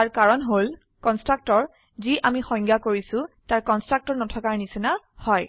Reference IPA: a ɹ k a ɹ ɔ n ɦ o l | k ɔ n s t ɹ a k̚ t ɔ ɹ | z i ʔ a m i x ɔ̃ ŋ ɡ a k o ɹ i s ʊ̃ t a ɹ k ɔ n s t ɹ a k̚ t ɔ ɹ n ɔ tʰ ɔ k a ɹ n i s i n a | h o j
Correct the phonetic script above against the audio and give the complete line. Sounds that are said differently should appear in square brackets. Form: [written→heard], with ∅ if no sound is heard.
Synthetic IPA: a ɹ k a ɹ ɔ n ɦ o l | k ɔ n s t ɹ a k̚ t ɔ ɹ | z i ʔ a m i x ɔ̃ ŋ ɡ a k o ɹ i s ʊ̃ t a ɹ k ɔ n s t ɹ a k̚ t ɔ ɹ n ɔ tʰ ɔ k a ɹ n i s i n a | h [o→ɔ] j